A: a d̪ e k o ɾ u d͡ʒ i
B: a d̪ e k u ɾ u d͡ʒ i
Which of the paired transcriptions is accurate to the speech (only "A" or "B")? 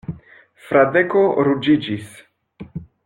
A